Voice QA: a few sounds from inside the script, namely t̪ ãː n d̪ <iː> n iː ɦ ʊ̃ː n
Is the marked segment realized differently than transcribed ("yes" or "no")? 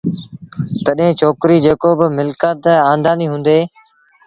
yes